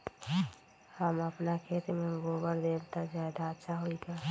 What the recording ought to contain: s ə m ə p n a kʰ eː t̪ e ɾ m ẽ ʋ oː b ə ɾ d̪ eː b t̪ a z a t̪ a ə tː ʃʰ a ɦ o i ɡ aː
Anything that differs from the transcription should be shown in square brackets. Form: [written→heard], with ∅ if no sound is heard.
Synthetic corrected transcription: [s→h] ə m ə p n a kʰ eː t̪ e [ɾ→∅] m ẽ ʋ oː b ə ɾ d̪ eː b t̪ a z a [t̪→d̪] a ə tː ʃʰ a ɦ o i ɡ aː